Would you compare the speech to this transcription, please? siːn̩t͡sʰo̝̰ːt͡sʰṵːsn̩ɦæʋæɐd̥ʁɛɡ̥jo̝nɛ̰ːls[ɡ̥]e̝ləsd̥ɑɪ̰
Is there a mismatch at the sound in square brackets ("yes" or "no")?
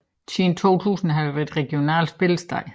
yes